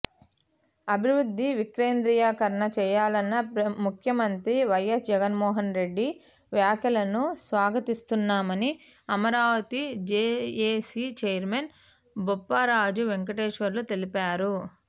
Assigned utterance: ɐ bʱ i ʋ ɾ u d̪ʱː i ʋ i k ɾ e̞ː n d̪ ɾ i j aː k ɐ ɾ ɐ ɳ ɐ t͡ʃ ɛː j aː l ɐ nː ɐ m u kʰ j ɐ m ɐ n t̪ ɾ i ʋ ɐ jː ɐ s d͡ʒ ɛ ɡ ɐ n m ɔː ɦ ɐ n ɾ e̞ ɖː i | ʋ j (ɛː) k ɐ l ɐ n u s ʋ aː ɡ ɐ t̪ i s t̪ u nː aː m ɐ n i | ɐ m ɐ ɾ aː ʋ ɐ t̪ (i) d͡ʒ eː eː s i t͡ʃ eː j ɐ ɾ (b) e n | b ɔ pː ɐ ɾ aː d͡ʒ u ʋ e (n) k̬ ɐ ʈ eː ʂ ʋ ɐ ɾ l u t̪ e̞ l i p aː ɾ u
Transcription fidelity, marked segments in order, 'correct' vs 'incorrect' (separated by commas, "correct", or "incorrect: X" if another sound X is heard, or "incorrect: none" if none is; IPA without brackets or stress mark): incorrect: aː, correct, incorrect: m, incorrect: ŋ